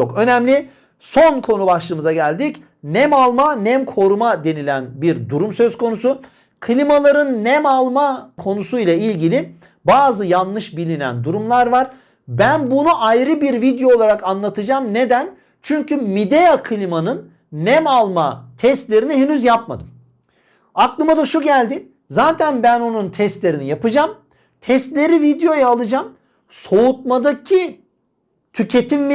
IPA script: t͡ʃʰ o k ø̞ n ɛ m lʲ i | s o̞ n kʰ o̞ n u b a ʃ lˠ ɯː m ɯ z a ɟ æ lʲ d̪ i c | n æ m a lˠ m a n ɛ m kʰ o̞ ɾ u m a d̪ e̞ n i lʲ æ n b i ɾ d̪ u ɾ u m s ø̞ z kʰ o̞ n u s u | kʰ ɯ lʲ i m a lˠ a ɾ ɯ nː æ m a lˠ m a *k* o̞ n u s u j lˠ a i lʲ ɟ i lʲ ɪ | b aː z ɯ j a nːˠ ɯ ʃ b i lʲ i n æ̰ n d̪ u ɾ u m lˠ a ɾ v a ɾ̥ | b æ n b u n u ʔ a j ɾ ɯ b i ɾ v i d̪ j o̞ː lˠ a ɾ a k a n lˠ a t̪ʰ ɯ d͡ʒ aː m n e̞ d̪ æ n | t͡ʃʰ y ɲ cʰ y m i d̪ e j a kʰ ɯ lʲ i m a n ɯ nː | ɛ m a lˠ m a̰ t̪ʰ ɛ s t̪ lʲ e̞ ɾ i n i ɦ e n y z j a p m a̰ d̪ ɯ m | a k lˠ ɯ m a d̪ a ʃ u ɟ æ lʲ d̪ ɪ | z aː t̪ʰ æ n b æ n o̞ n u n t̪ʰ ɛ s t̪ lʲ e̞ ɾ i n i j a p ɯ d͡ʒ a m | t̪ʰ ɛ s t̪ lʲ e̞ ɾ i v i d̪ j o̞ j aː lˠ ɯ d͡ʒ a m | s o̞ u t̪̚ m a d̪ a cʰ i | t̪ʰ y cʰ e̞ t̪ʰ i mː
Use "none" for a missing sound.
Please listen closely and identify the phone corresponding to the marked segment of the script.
kʰ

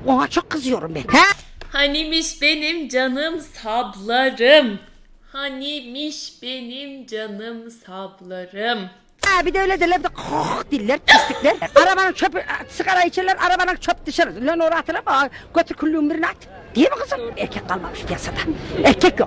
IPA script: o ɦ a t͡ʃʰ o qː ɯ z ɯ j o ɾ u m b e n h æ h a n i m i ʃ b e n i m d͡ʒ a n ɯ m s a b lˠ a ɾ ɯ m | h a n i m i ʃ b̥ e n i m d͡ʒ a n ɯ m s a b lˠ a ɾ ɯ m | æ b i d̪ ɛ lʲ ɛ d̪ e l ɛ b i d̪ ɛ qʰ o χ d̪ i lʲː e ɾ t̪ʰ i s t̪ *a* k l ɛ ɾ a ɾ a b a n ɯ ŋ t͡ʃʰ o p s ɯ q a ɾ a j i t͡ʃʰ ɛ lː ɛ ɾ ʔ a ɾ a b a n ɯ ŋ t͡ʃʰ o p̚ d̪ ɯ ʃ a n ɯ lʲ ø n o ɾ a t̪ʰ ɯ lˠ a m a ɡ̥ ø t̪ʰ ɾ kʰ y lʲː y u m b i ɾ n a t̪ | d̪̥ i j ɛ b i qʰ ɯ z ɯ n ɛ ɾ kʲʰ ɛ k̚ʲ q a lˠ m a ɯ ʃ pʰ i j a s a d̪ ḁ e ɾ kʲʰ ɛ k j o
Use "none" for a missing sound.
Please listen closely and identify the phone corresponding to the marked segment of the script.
i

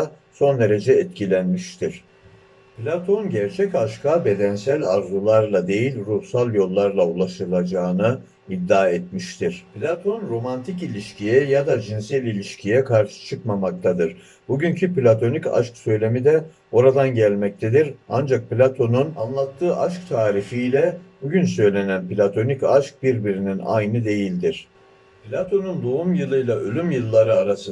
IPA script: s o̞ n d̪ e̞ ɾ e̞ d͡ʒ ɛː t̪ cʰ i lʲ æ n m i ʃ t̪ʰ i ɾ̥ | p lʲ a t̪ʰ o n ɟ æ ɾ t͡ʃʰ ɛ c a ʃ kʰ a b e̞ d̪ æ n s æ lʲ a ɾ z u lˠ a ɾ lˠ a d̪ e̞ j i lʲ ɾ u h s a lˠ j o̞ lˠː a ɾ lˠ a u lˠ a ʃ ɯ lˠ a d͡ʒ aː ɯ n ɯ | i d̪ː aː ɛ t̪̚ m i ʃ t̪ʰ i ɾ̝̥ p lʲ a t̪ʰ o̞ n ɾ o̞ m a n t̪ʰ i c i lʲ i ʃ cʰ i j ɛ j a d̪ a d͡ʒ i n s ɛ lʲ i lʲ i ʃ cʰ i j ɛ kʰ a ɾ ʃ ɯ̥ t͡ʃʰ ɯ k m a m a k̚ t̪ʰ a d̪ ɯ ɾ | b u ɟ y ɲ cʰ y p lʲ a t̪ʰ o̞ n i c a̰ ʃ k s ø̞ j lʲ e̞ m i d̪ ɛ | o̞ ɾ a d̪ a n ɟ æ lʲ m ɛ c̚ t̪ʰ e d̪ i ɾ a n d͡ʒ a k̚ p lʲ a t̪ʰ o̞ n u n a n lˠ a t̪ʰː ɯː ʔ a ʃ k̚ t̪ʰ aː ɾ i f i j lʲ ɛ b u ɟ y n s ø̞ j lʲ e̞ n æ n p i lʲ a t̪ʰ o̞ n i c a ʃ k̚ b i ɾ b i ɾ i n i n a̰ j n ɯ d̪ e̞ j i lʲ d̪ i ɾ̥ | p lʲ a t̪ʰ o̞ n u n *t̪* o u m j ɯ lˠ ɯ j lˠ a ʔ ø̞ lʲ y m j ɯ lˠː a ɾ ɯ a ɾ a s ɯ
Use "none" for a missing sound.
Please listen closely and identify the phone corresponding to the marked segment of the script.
d̪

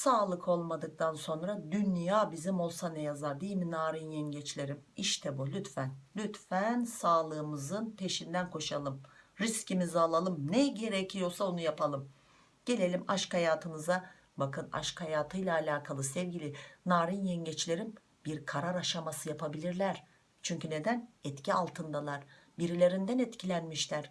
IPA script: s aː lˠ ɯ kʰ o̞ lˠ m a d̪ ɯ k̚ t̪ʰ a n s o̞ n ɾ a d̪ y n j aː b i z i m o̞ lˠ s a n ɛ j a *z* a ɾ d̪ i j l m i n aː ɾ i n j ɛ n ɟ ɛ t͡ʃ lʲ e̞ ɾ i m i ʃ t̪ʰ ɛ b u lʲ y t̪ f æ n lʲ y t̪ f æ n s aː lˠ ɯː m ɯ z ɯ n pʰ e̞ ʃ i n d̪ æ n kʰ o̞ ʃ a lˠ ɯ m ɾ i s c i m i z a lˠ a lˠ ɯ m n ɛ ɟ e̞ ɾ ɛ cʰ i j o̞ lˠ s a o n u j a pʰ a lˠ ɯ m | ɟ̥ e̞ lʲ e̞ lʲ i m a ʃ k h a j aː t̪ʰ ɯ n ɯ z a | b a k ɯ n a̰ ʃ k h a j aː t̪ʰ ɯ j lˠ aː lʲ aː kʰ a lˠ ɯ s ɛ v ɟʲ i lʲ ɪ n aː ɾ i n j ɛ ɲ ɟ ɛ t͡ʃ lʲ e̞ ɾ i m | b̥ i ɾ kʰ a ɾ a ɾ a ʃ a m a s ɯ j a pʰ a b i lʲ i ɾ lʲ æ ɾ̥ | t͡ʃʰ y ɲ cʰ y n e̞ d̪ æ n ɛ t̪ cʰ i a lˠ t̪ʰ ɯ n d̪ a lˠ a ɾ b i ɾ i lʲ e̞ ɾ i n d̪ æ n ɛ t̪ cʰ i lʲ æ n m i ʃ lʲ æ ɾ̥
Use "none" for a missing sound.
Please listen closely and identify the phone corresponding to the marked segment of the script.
z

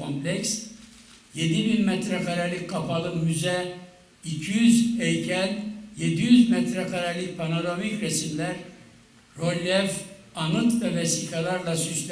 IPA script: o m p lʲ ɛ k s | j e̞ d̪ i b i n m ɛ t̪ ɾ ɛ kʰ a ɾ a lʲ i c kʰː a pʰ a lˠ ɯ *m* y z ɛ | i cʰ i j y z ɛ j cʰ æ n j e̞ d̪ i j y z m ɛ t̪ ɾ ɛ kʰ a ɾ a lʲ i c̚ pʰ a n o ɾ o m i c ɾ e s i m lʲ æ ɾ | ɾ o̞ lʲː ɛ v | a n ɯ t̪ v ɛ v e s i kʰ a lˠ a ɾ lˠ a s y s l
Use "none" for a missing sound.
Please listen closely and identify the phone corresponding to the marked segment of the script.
m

